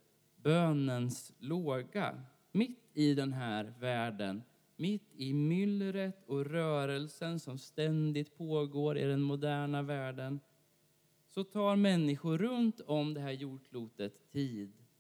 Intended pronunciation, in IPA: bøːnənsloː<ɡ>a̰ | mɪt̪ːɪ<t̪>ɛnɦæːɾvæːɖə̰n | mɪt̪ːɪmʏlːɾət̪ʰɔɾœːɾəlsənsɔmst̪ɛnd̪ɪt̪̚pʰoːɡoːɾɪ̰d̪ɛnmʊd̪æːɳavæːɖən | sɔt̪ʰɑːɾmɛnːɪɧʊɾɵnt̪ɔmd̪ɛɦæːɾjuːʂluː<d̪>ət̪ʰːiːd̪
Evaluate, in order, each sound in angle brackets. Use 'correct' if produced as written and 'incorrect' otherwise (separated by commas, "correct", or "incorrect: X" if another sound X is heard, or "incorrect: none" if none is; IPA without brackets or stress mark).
correct, incorrect: d̪, incorrect: t̪